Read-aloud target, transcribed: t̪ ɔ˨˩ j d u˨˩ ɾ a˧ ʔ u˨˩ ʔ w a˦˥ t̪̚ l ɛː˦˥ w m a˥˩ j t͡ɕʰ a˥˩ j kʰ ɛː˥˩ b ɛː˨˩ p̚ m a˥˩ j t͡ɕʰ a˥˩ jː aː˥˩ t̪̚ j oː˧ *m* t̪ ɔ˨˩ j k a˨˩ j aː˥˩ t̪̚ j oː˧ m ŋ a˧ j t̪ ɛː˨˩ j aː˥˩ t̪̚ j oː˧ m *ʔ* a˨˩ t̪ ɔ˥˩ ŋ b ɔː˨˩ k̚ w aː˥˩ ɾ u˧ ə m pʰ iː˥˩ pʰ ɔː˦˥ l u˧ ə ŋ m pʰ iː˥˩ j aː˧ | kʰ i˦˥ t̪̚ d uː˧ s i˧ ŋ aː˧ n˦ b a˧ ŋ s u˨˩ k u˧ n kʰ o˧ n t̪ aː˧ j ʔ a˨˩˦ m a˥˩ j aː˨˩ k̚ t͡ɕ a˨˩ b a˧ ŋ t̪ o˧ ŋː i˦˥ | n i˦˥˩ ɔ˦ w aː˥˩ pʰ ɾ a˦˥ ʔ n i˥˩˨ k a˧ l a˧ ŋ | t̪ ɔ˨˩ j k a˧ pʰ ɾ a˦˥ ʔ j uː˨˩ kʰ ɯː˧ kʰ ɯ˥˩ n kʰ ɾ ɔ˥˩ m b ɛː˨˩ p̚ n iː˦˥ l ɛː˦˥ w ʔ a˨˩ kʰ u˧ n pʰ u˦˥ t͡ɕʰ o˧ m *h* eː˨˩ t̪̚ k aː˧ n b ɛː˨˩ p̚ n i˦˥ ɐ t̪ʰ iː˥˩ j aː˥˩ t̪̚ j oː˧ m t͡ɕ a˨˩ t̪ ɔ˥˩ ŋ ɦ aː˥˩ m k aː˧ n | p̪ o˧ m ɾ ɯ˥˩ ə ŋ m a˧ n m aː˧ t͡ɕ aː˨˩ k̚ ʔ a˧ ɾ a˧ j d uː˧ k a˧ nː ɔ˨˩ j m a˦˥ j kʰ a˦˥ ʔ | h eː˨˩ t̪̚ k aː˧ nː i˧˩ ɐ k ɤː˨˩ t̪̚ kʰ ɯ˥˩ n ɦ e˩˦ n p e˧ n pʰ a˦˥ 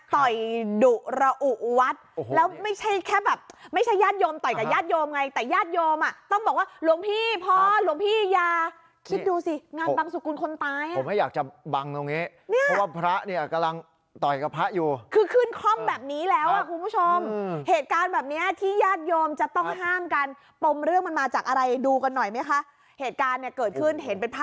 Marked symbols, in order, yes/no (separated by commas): yes, yes, yes